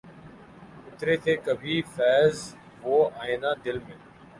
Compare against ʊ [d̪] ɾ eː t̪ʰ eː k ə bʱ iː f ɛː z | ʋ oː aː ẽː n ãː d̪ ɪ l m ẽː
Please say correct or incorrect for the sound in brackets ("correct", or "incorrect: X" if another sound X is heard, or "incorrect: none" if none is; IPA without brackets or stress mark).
incorrect: t̪